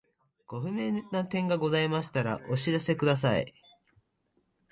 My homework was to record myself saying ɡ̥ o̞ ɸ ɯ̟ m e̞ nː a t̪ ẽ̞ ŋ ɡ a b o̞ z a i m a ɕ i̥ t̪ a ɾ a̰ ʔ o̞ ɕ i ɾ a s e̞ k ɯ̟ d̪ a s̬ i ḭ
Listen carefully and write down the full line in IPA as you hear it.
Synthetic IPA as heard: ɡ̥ o̞ ɸ ɯ̟ m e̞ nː a t̪ ẽ̞ ŋ ɡ a ɡ o̞ z a i m a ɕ i̥ t̪ a ɾ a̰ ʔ o̞ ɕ i ɾ a s e̞ k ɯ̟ d̪ a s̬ a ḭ